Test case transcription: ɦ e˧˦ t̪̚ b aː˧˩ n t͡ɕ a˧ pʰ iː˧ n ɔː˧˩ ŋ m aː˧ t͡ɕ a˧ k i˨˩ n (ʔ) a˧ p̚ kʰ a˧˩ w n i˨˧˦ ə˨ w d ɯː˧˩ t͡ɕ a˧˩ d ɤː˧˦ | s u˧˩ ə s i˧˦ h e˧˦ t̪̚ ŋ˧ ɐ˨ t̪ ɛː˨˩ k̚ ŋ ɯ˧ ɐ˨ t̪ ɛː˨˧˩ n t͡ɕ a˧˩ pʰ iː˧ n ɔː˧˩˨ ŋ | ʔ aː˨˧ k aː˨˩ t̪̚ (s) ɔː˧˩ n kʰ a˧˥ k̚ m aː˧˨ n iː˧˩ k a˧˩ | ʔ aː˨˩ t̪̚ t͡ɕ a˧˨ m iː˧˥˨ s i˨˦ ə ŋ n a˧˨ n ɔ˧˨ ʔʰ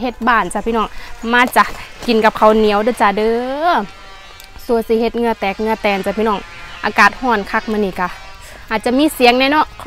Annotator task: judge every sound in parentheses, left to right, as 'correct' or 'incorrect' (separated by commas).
incorrect, incorrect